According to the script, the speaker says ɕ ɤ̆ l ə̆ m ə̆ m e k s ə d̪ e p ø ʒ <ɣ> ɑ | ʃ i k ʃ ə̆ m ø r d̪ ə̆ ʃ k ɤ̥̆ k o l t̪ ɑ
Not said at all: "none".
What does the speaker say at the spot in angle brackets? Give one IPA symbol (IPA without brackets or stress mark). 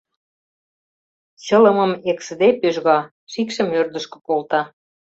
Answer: ɣ